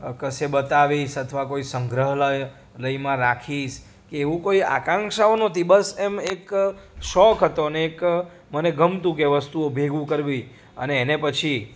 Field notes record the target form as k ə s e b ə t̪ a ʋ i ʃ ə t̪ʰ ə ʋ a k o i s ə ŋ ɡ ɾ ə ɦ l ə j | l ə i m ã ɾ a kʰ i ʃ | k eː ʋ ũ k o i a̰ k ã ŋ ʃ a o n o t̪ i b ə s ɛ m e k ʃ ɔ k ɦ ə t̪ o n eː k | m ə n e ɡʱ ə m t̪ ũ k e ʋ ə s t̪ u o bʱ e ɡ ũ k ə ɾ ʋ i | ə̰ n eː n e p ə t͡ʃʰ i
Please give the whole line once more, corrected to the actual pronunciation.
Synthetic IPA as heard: k ə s e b ə t̪ a ʋ i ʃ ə t̪ʰ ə ʋ a k o i s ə ŋ ɡ ɾ ə ɦ l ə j | l ə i m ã ɾ a kʰ i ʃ | k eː ʋ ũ k o i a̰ k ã ŋ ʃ a o n o t̪ i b ə s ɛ m e k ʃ ɔ k ɦ ə t̪ o n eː k | m ə n e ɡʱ ə m t̪ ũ k e ʋ ə s t̪ u o bʱ e ɡ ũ k ə ɾ ʋ i | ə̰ n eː n e p ə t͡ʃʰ i